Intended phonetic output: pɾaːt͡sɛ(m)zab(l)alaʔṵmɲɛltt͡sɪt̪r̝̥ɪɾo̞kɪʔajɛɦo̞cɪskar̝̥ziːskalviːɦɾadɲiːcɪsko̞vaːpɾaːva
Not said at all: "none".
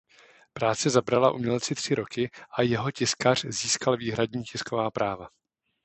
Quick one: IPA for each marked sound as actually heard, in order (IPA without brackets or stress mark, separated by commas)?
none, ɾ